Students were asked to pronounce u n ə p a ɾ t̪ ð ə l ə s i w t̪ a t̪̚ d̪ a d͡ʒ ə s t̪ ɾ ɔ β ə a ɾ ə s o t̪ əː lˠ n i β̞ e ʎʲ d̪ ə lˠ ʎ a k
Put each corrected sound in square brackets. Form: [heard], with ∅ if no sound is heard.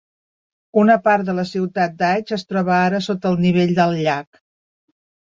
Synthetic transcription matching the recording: u n ə p a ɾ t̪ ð ə l ə s i w t̪ a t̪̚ d̪ a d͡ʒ ə s t̪ ɾ ɔ β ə a ɾ ə s o t̪ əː lˠ n i β̞ e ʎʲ d̪ ə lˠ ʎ a k